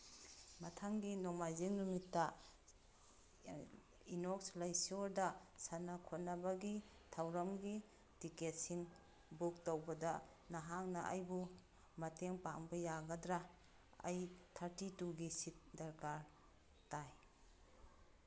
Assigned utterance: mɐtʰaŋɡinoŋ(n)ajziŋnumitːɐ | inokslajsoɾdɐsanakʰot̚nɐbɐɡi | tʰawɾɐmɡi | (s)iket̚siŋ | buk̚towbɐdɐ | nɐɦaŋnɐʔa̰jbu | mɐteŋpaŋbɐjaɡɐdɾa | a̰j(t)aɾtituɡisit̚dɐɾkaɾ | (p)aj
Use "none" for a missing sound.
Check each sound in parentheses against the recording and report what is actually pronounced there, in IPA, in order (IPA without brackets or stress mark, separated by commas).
m, t, tʰ, t